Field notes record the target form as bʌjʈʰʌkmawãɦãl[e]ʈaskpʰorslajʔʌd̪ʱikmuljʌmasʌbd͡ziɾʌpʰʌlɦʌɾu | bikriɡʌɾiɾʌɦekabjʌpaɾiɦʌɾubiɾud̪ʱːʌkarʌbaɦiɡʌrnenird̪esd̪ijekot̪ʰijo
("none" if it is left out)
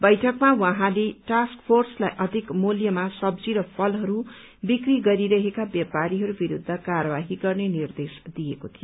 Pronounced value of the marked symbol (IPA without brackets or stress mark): e